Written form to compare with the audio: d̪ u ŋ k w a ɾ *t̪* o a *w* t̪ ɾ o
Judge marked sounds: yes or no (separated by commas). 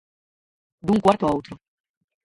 yes, yes